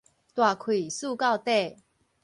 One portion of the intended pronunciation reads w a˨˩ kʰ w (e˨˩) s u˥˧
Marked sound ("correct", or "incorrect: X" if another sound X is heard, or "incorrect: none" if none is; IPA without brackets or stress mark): incorrect: i˨˩